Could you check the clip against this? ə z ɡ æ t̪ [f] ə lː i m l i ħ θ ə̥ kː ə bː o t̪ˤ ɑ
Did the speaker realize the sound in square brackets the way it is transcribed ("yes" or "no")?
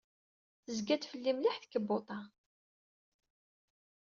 yes